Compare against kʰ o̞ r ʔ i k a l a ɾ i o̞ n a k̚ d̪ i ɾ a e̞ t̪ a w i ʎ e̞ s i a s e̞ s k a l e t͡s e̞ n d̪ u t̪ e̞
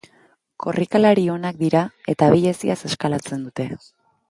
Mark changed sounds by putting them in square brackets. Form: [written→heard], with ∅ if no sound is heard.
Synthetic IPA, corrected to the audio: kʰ o̞ r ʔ i k a l a ɾ i o̞ n a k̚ d̪ i ɾ a e̞ t̪ a [w→β] i ʎ e̞ s i a s e̞ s k a l [e→a] t͡s e̞ n d̪ u t̪ e̞